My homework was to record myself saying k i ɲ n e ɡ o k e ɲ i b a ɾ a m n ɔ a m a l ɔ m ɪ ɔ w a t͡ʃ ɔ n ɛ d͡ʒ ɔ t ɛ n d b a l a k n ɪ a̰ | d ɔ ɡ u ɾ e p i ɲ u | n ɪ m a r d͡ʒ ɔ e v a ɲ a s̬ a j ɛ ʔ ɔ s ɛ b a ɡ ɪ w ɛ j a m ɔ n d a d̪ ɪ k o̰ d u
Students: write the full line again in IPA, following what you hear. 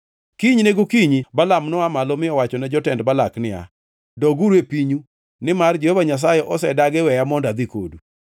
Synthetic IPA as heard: k i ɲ n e ɡ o k i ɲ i b a l a m n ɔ a m a l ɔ m ɪ ɔ w a t͡ʃ ɔ n ɛ d͡ʒ ɔ t ɛ n d b a l a k n ɪ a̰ | d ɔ ɡ u ɾ e p i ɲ u | n ɪ m a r d͡ʒ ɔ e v a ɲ a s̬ a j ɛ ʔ ɔ s ɛ d a ɡ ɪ w ɛ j a m ɔ n d a d̪ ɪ k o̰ d u